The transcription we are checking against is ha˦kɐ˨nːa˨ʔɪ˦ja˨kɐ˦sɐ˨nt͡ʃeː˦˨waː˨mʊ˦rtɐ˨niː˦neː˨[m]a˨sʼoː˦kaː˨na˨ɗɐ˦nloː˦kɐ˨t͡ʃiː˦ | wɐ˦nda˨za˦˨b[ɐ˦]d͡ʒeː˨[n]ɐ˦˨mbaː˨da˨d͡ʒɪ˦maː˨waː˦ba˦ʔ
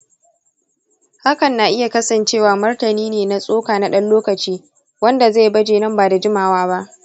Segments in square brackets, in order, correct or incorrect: incorrect: n, correct, correct

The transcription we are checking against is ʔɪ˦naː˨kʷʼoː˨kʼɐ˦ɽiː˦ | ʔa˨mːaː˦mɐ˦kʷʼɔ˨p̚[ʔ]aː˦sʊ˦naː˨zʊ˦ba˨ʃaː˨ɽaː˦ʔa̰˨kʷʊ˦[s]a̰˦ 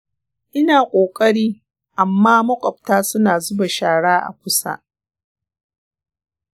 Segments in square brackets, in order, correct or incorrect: incorrect: t, correct

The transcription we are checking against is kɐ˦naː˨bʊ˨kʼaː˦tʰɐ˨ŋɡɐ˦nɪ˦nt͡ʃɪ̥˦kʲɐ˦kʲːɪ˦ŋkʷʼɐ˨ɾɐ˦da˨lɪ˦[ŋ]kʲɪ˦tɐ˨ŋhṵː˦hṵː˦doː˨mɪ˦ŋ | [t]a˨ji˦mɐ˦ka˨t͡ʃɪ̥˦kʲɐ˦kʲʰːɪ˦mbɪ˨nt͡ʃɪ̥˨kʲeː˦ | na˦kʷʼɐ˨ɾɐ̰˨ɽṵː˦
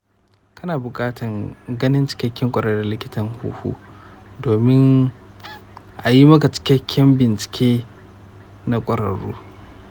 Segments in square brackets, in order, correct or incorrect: incorrect: none, incorrect: ʔ

